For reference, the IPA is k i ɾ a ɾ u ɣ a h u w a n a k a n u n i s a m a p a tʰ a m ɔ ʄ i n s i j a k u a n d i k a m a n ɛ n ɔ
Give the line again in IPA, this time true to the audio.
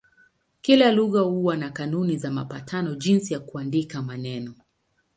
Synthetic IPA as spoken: k i l a l u ɣ a h u w a n a k a n u n i z a m a p a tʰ a n ɔ ʄ i n s i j a k u a n d i k a m a n ɛ n ɔ